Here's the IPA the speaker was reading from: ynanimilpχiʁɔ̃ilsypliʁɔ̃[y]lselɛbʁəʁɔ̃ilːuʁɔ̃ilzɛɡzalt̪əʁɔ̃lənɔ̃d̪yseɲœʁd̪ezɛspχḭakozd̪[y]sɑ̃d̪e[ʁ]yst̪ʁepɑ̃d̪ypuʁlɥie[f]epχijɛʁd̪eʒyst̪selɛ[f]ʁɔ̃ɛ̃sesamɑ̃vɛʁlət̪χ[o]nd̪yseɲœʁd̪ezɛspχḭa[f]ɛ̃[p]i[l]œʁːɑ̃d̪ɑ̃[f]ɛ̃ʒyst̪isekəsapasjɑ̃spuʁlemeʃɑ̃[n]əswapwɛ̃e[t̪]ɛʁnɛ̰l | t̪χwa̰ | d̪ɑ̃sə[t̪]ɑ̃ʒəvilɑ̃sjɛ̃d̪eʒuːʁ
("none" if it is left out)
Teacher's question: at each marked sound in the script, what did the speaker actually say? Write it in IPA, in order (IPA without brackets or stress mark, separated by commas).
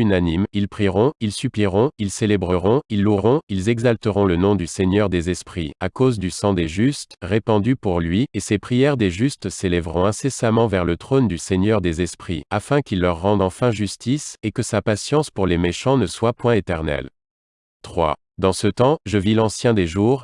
i, y, ʒ, s, v, o, f, k, lː, f, n, t̪, t̪